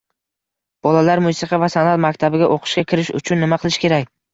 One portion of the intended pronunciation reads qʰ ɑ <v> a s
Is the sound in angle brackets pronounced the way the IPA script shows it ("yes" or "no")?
yes